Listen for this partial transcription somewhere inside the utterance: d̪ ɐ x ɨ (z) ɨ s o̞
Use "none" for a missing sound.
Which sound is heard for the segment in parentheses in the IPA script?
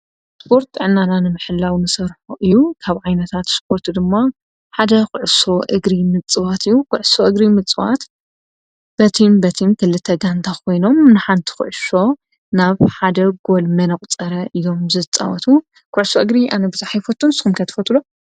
ʕ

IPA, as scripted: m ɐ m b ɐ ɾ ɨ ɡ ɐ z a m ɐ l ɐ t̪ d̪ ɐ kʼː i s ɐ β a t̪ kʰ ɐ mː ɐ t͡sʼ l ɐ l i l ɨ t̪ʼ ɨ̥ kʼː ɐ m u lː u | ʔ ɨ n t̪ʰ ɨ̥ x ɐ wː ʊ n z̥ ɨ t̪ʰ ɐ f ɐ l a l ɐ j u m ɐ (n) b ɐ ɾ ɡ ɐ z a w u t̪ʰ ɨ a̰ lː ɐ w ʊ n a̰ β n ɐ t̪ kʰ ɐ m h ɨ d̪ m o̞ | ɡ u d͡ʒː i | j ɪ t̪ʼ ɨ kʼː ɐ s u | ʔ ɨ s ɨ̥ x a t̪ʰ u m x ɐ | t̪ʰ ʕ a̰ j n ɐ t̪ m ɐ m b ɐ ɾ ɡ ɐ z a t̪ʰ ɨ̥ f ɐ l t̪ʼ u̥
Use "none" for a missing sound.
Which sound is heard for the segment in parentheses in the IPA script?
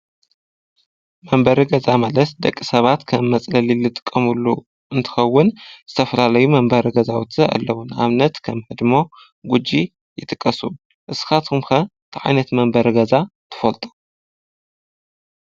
m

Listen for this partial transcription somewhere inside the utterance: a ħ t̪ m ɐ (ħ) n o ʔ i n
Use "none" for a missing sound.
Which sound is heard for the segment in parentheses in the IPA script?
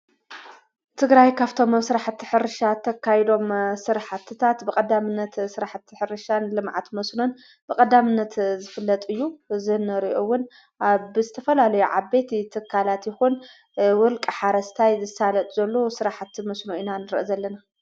s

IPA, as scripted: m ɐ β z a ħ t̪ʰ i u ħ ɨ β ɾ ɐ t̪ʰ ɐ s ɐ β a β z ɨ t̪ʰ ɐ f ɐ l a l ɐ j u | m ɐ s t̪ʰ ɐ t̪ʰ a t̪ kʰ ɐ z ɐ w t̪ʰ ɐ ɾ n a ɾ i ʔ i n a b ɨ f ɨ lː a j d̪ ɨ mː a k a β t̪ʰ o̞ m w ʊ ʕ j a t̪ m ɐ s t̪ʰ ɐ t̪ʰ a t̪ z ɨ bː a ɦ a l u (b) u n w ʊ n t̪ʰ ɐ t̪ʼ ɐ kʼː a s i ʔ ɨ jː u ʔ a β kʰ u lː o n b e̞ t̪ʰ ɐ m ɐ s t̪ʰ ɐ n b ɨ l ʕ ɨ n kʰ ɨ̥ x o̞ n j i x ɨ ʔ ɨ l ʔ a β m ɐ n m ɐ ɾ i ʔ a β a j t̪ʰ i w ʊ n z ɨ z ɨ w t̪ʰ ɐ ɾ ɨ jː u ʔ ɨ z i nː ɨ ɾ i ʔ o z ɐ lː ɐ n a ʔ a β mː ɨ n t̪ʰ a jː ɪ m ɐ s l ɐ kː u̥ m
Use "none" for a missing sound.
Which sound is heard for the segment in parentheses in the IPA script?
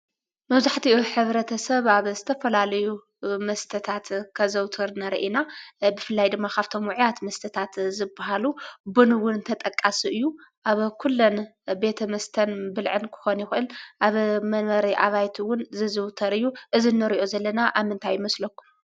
b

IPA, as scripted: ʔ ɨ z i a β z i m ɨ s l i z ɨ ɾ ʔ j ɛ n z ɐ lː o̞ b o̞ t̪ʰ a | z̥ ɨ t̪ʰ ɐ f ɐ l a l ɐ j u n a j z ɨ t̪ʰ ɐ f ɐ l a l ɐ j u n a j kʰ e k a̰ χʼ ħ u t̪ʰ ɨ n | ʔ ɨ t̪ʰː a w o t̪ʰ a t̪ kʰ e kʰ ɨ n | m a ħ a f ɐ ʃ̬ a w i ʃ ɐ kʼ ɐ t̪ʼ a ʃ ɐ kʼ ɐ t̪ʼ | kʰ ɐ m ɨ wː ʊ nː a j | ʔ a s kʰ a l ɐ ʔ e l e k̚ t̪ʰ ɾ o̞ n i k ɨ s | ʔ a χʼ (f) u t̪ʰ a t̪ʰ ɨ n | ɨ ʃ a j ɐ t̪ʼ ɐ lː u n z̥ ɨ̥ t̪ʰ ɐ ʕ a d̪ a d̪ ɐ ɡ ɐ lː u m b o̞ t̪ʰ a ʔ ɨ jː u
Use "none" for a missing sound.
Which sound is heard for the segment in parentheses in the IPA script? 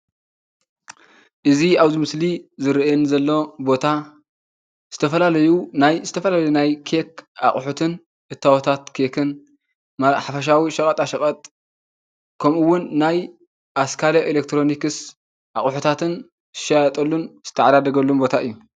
ħ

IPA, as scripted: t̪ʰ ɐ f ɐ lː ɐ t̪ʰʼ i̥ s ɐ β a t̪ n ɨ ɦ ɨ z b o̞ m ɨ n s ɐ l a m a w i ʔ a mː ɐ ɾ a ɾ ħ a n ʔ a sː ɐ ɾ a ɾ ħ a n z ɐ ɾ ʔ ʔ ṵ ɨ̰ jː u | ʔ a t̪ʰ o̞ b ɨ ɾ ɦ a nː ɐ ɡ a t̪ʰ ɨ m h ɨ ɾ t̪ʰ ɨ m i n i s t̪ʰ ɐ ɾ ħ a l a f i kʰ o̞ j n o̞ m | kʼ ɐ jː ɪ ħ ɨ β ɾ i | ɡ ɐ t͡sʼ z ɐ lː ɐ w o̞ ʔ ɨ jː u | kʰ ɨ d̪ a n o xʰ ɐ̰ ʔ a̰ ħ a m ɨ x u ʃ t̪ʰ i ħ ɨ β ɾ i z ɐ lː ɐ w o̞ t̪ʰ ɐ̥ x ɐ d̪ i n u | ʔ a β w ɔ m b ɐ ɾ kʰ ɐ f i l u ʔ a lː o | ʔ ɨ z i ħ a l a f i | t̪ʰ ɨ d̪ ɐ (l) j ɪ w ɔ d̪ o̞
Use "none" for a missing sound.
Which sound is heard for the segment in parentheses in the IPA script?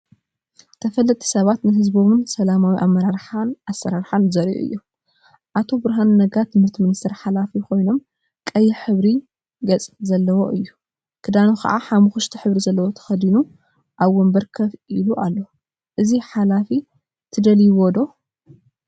l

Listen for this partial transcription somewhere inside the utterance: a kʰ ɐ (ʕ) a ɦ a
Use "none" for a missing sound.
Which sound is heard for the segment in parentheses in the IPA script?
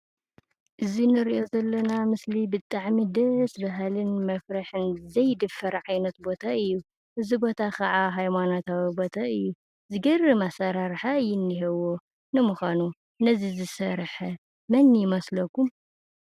ʕ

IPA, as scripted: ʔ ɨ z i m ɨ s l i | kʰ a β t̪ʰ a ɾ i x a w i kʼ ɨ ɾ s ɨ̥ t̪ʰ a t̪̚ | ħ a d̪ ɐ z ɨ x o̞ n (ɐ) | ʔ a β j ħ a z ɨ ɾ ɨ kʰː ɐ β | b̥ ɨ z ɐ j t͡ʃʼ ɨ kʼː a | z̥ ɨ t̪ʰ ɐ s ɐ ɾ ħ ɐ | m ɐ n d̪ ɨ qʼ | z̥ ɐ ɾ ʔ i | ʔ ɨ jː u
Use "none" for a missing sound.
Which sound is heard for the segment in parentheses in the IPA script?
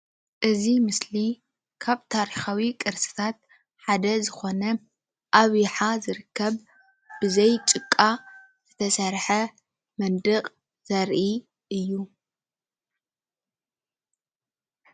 ɐ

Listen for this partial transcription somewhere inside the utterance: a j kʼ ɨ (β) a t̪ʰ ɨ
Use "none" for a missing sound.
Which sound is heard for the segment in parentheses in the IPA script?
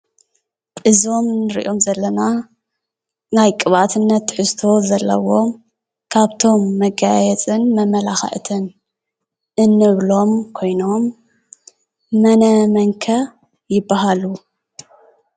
β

